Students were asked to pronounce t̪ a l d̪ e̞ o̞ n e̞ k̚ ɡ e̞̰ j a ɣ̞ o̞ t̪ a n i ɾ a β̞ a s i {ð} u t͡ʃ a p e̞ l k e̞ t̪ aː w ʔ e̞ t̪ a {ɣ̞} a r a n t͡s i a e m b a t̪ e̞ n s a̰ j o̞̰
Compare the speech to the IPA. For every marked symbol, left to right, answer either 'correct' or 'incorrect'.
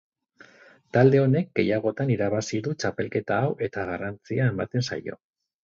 correct, correct

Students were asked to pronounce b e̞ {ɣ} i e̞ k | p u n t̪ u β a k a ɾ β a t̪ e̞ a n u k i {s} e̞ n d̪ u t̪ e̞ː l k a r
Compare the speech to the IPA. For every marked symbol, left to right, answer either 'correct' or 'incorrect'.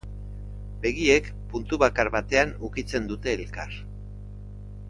correct, incorrect: t͡s

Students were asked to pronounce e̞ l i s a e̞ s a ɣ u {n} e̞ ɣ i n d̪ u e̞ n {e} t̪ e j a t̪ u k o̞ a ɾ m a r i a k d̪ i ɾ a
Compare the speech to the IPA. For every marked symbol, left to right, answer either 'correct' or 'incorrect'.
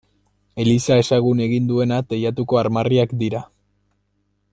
correct, incorrect: a

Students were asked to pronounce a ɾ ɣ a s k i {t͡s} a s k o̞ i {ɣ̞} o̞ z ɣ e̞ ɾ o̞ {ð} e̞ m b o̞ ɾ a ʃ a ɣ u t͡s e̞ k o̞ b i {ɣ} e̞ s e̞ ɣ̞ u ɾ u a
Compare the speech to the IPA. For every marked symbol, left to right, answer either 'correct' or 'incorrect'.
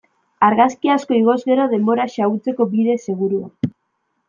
incorrect: none, correct, correct, incorrect: ð

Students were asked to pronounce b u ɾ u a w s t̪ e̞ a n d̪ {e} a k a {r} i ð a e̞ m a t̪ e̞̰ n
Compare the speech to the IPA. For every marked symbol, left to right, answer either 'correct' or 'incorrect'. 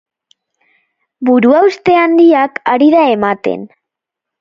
incorrect: i, incorrect: ɾ

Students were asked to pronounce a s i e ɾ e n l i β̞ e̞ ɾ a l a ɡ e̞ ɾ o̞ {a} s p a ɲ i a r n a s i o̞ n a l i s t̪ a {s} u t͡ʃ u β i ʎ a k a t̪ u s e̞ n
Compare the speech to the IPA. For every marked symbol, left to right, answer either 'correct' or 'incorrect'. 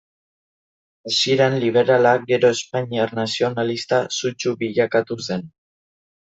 incorrect: e, correct

